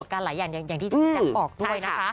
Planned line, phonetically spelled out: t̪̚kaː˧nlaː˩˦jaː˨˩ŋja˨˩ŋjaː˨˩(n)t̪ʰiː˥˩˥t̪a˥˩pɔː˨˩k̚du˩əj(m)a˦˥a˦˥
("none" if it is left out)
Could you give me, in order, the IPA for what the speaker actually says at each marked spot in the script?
ŋ, n

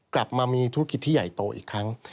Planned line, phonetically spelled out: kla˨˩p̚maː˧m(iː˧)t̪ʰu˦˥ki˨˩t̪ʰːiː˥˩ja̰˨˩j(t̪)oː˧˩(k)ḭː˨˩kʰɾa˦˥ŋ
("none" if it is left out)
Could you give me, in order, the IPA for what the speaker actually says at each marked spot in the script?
iː˧, t̪, ʔ

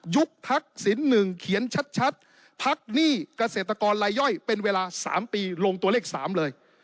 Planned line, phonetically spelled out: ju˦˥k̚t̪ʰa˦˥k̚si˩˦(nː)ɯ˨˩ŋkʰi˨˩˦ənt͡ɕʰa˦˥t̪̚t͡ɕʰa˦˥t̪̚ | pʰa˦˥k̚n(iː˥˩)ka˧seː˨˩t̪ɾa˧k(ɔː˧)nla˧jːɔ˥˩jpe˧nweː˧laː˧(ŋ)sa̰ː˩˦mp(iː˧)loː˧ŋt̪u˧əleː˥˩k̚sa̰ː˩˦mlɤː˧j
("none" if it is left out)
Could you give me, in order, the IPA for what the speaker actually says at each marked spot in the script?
nː, iː˥˩, ɔː˧, none, iː˧

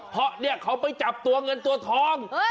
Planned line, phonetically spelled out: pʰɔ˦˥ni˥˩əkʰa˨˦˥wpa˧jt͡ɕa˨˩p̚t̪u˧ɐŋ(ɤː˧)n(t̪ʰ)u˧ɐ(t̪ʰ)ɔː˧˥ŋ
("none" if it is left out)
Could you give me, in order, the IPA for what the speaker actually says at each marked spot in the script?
ɤ˧, t̪, t̪ʰ

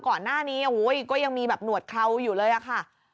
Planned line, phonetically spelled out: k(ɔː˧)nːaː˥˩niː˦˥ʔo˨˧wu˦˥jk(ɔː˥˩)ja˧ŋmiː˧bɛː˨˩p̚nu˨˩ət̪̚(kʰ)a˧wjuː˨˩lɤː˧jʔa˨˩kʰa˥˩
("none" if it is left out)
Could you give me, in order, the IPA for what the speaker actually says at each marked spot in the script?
ɔː˨˩, ɔː˥˩, kʰ

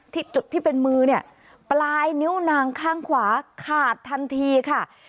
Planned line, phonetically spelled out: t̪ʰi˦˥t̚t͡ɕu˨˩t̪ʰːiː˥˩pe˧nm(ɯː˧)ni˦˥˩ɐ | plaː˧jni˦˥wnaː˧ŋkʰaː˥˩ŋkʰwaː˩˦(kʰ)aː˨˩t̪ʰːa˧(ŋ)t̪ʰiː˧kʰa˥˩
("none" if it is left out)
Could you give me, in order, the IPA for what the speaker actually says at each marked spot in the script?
ɯː˧, kʰ, n

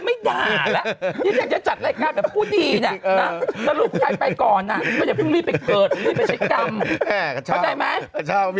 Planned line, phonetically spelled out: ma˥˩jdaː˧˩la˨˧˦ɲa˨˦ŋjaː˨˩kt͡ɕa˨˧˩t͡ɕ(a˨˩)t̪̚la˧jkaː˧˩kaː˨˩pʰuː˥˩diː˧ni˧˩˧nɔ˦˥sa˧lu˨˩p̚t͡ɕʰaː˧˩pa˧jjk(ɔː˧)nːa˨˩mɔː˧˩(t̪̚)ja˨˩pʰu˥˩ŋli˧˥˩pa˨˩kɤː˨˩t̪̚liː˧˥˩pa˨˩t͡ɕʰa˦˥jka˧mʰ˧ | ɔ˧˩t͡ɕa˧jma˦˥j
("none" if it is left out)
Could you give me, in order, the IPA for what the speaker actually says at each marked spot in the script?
a˨˩, ɔː˨˩, none

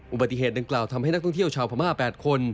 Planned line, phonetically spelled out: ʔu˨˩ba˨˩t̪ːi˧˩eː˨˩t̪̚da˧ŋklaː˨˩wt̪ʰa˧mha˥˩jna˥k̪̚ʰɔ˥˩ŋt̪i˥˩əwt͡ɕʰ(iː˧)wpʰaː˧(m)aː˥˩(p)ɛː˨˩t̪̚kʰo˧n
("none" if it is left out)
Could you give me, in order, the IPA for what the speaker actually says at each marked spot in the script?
aː˧, m, p

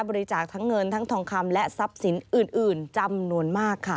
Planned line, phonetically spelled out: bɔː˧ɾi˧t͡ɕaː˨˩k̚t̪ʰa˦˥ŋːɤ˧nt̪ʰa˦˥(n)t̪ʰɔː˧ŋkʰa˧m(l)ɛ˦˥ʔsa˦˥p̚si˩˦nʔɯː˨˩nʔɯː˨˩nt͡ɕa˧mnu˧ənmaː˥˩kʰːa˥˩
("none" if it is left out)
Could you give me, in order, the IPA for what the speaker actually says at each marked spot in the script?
ŋ, l

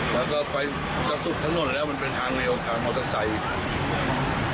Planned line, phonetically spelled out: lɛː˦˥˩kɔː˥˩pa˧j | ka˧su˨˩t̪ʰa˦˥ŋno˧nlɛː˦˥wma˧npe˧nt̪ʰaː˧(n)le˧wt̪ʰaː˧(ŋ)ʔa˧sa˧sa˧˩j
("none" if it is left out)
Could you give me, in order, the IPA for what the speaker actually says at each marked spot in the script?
ŋ, ŋ

